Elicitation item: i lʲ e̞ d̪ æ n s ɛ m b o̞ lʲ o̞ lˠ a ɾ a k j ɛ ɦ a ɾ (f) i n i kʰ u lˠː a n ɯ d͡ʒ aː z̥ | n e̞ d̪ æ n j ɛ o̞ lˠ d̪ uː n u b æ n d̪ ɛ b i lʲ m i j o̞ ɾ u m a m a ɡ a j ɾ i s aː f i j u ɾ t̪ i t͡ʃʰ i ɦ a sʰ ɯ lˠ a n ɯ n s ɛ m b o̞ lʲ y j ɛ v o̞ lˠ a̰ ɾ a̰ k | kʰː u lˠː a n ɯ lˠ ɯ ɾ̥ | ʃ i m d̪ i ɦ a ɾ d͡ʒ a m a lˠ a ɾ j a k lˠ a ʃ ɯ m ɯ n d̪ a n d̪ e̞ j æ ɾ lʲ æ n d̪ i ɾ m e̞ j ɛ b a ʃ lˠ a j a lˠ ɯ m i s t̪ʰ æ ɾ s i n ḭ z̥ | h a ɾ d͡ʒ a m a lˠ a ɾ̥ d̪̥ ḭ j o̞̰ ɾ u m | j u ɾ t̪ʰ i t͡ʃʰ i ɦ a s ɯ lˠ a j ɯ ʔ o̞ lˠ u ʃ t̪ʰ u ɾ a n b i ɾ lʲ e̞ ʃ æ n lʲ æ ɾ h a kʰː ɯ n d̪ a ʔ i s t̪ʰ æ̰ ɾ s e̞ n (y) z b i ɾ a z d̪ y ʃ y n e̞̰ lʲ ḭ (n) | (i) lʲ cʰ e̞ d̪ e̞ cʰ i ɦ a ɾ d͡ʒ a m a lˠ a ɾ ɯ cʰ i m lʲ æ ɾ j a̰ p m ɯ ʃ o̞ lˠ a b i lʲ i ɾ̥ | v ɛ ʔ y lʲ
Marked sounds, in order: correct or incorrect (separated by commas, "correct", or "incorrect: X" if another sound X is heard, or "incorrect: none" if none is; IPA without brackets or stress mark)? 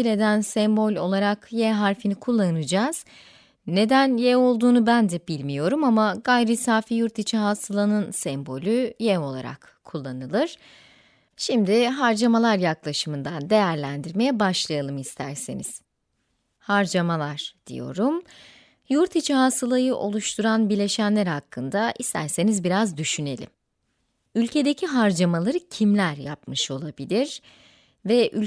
correct, incorrect: i, incorrect: m, incorrect: y